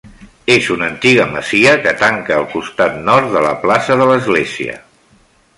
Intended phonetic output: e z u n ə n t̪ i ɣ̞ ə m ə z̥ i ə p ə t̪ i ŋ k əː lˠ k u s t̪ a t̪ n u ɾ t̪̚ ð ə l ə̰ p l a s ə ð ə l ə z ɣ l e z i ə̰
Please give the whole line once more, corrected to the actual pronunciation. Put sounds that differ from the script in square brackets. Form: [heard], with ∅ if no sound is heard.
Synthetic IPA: e z u n ə n t̪ i ɣ̞ ə m ə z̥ i ə [k] ə t̪ [a] ŋ k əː lˠ k u s t̪ a t̪ n [ɔ] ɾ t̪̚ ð ə l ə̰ p l a s ə ð ə l ə z ɣ l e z i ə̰